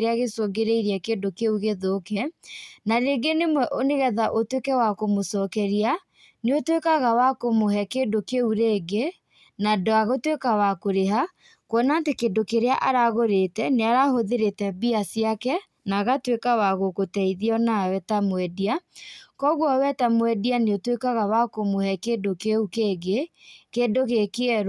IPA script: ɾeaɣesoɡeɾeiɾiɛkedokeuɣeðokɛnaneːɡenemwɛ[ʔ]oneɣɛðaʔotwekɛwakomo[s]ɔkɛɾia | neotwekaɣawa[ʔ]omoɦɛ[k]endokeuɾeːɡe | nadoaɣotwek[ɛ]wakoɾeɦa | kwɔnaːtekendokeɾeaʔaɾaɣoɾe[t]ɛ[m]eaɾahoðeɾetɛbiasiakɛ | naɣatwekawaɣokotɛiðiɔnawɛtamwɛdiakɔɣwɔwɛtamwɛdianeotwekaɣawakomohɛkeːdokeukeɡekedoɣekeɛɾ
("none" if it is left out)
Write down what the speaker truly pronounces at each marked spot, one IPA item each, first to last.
ʔ, s, k, k, a, t, n

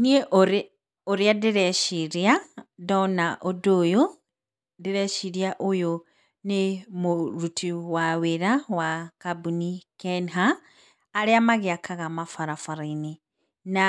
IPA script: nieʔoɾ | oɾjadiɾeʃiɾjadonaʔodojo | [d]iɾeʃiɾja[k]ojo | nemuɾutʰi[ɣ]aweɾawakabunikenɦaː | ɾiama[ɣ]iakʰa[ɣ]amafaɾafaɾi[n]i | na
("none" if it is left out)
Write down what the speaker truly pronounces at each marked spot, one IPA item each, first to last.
d, ʔ, w, ɣ, ɣ, n

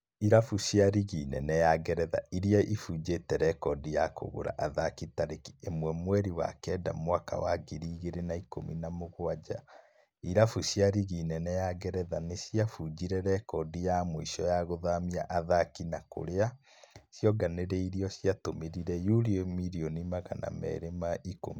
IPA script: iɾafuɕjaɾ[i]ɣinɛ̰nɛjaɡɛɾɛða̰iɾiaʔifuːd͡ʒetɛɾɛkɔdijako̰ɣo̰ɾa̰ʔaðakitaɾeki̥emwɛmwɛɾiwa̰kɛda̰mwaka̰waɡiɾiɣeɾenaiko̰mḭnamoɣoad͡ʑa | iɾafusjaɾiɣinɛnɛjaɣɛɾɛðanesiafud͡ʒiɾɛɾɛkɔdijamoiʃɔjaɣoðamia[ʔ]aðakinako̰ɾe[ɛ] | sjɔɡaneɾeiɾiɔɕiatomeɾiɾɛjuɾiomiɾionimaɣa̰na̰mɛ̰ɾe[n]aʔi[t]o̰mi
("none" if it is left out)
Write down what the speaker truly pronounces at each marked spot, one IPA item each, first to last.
i, ʔ, a, m, k

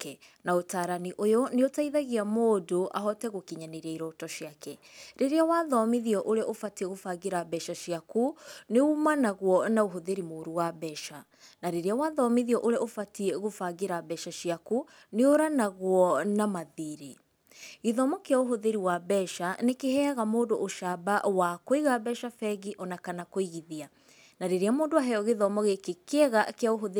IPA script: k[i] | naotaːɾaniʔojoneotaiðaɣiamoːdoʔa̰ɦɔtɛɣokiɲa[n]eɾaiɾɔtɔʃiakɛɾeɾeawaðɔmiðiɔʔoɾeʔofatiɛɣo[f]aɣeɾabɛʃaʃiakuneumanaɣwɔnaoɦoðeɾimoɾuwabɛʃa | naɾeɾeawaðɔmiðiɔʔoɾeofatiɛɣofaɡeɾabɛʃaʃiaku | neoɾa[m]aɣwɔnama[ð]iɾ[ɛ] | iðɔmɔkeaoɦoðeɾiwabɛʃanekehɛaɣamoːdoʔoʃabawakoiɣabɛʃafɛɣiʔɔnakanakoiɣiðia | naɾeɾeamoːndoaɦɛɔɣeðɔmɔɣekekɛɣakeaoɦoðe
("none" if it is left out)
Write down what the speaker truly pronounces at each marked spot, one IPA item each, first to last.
ɛ, n, f, n, ð, e

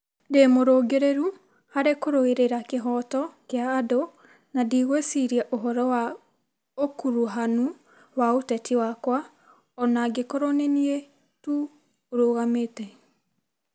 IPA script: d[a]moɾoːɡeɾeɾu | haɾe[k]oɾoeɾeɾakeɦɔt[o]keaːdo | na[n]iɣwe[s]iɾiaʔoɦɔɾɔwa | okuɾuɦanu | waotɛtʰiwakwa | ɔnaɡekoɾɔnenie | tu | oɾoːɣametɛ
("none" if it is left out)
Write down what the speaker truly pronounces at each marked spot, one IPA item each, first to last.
e, k, ɔ, d, s

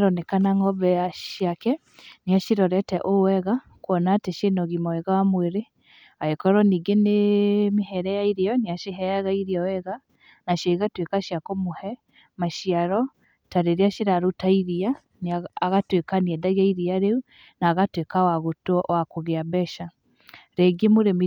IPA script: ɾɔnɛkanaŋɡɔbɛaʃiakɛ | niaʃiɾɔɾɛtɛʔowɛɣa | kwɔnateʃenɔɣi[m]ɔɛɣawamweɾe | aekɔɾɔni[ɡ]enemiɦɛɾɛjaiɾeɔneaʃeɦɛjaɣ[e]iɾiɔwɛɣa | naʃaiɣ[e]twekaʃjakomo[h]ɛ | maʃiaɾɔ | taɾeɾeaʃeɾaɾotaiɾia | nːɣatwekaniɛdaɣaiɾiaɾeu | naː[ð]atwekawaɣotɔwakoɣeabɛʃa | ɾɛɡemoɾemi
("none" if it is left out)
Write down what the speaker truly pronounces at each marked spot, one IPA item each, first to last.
m, ɡ, a, a, h, ɣ

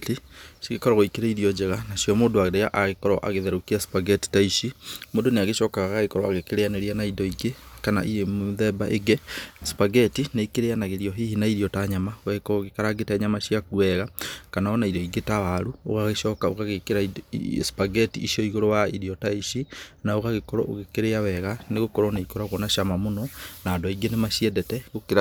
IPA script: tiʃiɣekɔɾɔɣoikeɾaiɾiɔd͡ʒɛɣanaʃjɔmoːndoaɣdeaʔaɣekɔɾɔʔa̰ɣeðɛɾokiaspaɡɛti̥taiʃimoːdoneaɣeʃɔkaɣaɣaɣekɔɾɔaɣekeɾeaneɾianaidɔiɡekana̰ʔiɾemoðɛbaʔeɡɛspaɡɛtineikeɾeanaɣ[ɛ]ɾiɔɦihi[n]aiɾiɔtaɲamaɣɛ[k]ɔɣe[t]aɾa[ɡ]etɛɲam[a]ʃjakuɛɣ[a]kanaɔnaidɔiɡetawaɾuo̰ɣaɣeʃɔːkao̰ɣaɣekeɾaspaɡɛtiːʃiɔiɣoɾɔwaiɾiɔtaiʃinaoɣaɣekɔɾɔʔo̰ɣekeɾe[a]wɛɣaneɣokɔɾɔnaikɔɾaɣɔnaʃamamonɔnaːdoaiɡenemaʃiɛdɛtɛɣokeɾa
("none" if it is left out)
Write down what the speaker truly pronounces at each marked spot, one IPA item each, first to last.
e, n, k, k, ɡ, a, a, a

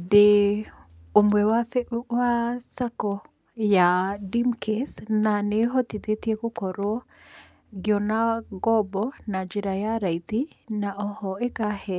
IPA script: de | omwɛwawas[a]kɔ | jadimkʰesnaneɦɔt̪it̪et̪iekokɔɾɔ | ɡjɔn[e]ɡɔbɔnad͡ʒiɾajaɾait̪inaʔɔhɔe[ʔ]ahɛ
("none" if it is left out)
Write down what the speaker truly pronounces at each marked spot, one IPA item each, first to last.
a, a, k

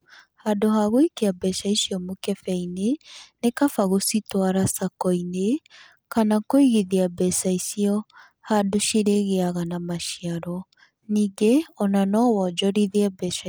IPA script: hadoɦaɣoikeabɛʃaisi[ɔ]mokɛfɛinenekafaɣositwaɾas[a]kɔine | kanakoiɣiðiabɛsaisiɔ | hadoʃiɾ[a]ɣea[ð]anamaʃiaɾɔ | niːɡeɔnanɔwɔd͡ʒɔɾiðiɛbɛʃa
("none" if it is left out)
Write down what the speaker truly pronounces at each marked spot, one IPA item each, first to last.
ɔ, a, e, ɣ

